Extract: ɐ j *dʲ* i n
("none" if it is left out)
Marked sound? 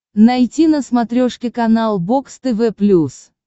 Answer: tʲ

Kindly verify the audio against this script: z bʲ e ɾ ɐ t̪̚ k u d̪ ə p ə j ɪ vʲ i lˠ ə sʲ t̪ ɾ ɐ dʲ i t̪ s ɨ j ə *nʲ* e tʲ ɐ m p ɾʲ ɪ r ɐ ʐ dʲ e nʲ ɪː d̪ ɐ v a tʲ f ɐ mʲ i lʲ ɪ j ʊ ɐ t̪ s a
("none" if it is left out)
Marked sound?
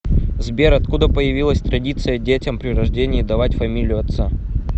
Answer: dʲ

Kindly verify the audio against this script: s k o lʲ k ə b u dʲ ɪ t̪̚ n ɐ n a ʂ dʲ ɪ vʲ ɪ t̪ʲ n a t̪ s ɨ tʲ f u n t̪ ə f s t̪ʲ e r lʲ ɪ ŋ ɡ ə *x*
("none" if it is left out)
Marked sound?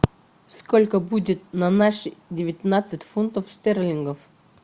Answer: f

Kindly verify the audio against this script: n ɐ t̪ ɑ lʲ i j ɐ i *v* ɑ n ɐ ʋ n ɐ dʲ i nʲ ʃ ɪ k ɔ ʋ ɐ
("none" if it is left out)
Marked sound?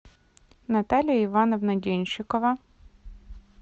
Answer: ʋ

